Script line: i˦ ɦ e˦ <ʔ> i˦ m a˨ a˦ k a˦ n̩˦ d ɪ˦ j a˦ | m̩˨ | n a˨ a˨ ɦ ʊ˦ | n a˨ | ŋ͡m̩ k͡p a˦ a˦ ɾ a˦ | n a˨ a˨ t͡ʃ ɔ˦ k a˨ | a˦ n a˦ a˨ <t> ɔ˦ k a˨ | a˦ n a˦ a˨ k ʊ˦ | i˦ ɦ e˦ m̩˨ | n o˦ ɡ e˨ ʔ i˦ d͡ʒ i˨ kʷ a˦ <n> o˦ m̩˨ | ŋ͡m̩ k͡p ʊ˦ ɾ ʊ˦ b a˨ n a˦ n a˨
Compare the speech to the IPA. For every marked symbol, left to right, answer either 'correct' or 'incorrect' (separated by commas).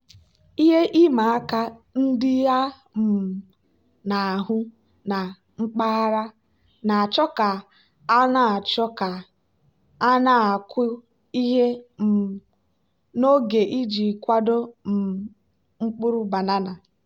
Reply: correct, incorrect, incorrect